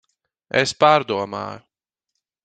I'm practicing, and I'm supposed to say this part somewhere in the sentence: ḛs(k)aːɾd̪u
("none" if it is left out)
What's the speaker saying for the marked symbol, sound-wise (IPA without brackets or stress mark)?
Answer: p